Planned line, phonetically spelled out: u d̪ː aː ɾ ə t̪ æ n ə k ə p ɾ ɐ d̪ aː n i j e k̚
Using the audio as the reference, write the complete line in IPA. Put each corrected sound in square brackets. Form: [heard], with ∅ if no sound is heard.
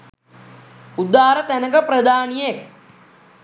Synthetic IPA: u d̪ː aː ɾ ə t̪ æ n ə k ə p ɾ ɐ d̪ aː n i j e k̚